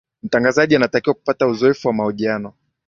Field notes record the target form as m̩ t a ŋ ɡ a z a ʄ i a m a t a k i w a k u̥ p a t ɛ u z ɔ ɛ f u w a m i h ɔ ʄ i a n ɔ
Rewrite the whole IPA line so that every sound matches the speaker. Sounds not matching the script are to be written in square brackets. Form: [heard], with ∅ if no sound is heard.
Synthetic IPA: m̩ t a ŋ ɡ a z a ʄ i a [n] a t a k i w a k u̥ p a t [a] u z ɔ ɛ f u w a m [a] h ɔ ʄ i a n ɔ